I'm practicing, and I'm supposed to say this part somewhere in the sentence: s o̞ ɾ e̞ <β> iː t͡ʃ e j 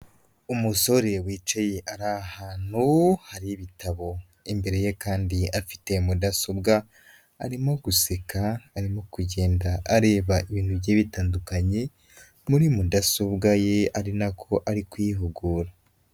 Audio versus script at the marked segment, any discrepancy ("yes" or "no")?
yes